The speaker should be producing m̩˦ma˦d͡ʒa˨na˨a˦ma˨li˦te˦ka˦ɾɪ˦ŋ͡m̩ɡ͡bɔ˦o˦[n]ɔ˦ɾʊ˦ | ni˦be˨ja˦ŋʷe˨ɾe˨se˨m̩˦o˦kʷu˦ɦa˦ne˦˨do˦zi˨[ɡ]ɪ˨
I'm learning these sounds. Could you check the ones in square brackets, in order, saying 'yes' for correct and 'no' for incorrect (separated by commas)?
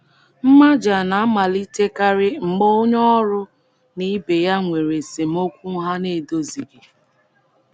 no, yes